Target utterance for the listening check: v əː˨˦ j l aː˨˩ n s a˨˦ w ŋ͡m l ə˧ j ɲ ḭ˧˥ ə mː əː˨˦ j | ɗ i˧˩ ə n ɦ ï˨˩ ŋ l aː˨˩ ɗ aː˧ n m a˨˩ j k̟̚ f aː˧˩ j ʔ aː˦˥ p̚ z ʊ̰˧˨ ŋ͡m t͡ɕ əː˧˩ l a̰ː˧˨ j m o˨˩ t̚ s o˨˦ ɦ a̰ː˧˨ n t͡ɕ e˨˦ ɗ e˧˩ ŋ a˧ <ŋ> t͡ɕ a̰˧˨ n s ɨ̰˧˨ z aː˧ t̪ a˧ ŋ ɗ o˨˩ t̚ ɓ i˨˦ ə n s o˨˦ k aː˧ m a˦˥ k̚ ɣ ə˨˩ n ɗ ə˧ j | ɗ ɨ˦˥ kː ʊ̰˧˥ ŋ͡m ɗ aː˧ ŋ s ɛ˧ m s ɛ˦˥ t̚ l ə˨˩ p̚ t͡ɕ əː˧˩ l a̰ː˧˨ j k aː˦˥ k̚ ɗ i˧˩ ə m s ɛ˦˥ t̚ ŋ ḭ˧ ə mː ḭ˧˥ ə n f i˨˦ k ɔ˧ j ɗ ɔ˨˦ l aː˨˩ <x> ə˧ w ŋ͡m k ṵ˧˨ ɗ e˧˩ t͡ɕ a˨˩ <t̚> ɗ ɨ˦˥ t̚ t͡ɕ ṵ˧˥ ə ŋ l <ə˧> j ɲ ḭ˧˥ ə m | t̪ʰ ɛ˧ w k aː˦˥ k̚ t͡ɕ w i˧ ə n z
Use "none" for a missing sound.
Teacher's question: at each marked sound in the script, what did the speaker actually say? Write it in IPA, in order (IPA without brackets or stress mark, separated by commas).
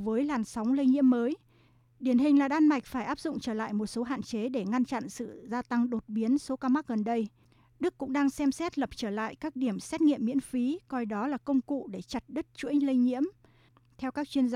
n, k, t̚, ə˧